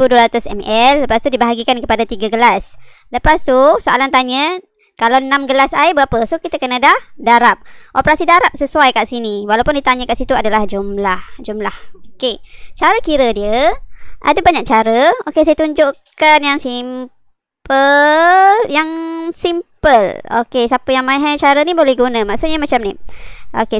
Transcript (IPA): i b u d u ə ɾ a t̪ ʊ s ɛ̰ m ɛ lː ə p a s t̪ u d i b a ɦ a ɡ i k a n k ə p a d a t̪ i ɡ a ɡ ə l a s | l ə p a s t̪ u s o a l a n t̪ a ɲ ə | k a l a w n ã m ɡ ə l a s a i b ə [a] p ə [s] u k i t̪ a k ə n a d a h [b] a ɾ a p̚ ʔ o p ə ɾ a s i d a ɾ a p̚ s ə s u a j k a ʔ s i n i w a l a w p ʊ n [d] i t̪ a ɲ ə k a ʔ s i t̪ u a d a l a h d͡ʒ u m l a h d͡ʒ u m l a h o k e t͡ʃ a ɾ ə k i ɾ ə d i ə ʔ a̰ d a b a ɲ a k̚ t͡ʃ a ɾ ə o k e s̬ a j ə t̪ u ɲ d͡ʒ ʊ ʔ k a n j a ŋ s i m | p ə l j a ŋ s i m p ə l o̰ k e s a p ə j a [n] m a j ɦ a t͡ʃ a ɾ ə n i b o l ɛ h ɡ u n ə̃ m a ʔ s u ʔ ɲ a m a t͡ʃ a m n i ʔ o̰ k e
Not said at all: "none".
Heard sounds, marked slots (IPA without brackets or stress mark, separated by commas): a, s, d, d, ŋ